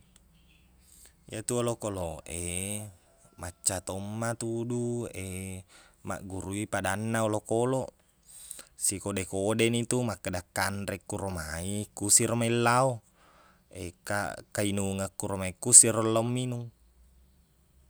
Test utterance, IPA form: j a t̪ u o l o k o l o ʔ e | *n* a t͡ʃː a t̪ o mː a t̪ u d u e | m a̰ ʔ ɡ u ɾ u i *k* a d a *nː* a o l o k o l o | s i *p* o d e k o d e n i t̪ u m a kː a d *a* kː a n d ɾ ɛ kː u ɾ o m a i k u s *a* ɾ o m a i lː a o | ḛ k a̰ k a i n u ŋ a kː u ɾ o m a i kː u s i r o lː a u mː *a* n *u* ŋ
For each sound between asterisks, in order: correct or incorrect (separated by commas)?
incorrect, incorrect, correct, incorrect, correct, incorrect, incorrect, correct